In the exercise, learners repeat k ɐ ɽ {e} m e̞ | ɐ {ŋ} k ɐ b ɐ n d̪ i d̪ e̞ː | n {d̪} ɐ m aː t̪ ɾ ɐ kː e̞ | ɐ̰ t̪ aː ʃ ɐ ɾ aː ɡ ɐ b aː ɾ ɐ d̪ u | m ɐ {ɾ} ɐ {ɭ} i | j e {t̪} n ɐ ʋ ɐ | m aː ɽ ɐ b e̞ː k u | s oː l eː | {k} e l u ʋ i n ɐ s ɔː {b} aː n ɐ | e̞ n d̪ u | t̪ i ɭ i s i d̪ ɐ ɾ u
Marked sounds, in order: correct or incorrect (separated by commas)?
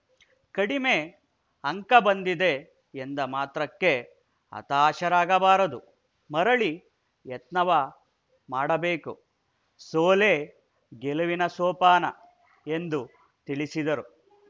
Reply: incorrect, correct, correct, correct, correct, correct, incorrect, incorrect